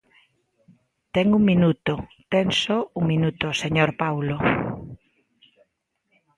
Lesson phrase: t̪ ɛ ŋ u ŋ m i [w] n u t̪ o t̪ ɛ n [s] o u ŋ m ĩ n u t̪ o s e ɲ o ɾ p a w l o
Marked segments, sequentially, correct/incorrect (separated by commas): incorrect, correct